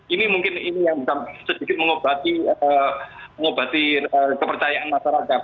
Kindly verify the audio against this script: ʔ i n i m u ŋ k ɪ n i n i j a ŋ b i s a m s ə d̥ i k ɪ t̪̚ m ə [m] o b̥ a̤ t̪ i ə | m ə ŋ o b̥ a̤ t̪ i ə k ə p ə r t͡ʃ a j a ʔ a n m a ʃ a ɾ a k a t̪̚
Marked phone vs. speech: incorrect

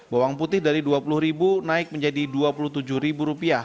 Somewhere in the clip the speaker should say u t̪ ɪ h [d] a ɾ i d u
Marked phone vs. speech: correct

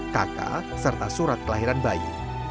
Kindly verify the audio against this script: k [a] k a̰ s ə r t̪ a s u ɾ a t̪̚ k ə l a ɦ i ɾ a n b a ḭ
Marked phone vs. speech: correct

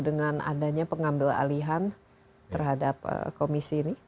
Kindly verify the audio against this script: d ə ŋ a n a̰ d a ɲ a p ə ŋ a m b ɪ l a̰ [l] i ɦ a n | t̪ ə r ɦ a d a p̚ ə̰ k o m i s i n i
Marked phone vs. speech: correct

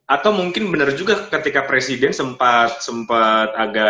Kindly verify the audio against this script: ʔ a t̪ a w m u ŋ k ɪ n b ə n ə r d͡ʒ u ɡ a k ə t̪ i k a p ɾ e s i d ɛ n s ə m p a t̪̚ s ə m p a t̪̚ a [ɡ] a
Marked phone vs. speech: correct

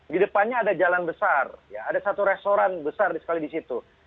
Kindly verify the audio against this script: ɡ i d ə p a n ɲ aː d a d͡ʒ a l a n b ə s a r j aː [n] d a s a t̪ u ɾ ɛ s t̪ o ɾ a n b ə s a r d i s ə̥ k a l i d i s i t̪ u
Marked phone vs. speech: incorrect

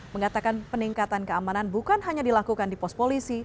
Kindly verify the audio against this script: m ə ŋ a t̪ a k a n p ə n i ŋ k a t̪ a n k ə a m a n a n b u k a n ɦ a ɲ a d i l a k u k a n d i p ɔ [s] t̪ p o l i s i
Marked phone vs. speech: correct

